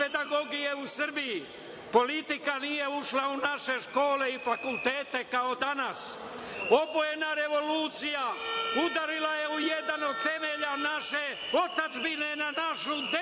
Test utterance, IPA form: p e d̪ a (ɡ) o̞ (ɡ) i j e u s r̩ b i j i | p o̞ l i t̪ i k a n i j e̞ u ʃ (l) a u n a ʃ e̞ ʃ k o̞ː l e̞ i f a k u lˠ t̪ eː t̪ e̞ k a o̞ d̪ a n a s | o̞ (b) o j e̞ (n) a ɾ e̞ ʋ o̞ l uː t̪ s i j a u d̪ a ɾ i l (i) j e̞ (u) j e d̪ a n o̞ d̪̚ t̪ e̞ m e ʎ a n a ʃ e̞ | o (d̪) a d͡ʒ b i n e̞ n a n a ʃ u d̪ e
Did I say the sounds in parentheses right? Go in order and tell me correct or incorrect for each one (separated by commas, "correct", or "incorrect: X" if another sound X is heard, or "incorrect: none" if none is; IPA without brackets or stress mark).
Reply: correct, correct, correct, correct, correct, incorrect: a, correct, incorrect: t̪